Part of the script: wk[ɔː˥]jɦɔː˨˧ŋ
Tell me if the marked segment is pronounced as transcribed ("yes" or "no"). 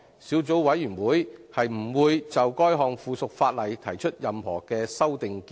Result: yes